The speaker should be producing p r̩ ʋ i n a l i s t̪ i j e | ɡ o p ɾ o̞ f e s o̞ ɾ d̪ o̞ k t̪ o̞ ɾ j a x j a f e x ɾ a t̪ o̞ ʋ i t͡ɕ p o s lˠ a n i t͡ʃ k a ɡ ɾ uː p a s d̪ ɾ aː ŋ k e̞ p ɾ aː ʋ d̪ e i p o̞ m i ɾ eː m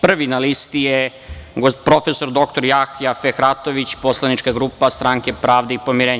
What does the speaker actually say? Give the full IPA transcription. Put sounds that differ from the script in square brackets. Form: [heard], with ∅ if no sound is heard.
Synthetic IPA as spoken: p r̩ ʋ i n a l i s t̪ i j e | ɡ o p ɾ o̞ f e s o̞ ɾ d̪ o̞ k t̪ o̞ ɾ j a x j a f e x ɾ a t̪ o̞ ʋ i t͡ɕ p o s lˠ a n i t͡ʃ k a ɡ ɾ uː p a s [t̪] ɾ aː ŋ k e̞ p ɾ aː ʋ d̪ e i p o̞ m i ɾ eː [ɲ]